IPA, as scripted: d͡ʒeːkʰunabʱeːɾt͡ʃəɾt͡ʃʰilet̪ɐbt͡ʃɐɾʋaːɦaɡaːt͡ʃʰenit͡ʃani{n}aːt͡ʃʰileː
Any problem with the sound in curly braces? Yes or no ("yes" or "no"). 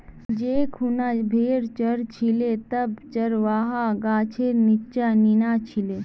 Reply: no